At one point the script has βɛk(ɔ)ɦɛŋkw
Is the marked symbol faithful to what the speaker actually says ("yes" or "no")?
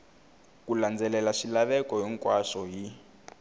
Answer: yes